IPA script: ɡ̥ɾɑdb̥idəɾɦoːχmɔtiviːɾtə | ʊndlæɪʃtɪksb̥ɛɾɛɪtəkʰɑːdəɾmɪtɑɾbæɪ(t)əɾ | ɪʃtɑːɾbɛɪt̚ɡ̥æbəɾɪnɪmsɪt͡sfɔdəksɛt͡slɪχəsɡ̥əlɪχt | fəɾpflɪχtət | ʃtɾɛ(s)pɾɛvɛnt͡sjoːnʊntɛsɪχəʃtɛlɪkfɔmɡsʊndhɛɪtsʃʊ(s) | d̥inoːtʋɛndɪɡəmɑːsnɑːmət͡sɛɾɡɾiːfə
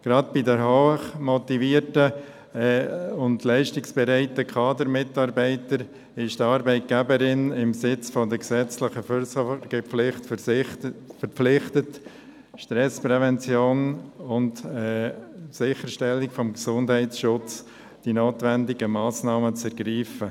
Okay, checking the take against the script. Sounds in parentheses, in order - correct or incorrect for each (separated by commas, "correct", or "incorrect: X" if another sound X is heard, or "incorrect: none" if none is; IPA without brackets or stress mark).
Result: correct, correct, incorrect: t͡s